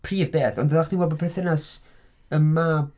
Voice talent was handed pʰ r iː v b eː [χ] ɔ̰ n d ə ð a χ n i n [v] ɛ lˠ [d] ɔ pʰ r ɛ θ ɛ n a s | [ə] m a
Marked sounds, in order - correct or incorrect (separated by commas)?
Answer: incorrect, incorrect, incorrect, correct